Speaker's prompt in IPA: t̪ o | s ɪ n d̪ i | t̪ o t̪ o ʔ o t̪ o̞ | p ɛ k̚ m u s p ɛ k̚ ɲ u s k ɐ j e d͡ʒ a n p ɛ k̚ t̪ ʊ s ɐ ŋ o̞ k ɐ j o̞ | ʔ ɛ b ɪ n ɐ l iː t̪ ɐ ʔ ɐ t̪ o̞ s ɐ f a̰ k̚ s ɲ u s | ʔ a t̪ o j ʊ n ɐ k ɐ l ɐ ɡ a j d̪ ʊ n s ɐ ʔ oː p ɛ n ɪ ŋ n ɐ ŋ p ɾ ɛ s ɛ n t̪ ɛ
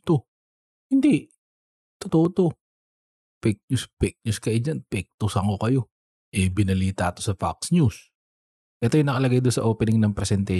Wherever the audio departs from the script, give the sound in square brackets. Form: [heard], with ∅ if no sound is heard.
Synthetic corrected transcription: t̪ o | [h] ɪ n d̪ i | t̪ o t̪ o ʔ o t̪ o̞ | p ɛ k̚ [ɲ] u s p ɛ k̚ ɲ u s k ɐ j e d͡ʒ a n p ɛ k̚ t̪ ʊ s ɐ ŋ o̞ k ɐ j o̞ | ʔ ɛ b ɪ n ɐ l iː t̪ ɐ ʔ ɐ t̪ o̞ s ɐ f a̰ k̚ s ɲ u s | ʔ [ɛ] t̪ o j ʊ n ɐ k ɐ l ɐ ɡ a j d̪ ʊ n s ɐ ʔ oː p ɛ n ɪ ŋ n ɐ ŋ p ɾ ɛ s ɛ n t̪ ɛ